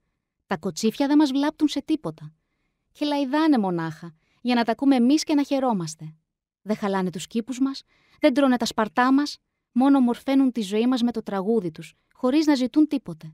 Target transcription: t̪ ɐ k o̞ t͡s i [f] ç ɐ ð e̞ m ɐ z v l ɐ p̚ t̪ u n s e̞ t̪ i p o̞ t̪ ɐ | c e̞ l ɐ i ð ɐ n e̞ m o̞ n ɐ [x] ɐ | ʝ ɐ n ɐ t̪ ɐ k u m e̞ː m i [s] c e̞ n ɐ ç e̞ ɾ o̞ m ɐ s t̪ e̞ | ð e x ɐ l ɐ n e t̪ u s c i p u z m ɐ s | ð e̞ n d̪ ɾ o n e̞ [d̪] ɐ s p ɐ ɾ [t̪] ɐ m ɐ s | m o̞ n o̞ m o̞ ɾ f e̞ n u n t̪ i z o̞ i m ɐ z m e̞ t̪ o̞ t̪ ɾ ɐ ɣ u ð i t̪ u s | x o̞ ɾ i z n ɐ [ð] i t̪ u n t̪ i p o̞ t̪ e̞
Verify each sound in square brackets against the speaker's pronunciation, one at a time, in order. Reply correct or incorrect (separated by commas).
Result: correct, correct, correct, incorrect, correct, incorrect